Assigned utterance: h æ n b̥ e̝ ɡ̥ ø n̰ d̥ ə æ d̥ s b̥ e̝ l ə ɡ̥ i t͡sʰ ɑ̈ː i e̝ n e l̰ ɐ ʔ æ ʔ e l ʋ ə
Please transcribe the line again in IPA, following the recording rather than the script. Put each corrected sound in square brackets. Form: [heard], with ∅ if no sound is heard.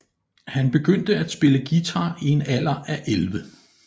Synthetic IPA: h æ n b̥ e̝ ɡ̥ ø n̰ d̥ ə æ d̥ s b̥ e̝ l ə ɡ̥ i t͡sʰ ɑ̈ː i e̝ n [æ] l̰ ɐ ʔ æ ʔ e l ʋ ə